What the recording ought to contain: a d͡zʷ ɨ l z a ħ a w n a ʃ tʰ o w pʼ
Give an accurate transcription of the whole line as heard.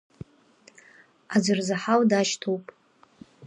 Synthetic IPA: a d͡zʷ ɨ r z a ħ a w d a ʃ tʰ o w pʼ